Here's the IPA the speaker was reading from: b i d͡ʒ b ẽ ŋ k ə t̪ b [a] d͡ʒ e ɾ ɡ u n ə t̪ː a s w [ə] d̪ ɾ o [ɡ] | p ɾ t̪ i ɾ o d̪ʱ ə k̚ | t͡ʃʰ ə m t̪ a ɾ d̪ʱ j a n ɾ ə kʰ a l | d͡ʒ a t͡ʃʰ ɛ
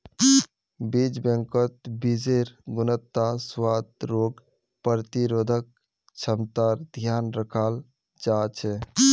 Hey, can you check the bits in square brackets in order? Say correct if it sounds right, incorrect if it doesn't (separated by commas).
incorrect, incorrect, correct